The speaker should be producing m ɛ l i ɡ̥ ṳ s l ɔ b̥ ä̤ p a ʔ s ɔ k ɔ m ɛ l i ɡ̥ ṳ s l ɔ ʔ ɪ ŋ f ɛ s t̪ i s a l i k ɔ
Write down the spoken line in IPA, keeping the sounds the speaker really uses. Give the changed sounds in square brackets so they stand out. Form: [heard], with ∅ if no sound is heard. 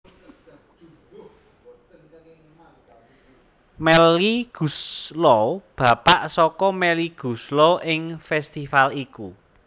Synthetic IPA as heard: m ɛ l i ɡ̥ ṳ s l ɔ b̥ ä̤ p a ʔ s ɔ k ɔ m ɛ l i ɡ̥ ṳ s l ɔ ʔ ɪ ŋ f ɛ s t̪ i [f] a l i k [u]